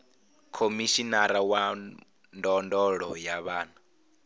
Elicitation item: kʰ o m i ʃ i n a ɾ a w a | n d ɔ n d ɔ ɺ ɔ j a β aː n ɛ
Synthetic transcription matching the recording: kʰ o m i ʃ i n a ɾ a w a | n d ɔ n d ɔ ɺ ɔ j a β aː n a